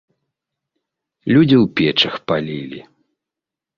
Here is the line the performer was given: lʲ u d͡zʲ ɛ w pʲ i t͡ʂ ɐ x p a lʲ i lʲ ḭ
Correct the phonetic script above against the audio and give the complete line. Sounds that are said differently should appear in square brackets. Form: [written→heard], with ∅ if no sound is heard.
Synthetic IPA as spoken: lʲ u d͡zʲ [ɛ→i] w pʲ [i→ɛ] t͡ʂ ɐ x p a lʲ i lʲ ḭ